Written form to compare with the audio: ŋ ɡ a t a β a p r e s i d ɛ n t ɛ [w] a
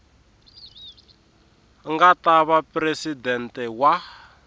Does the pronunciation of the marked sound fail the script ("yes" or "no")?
no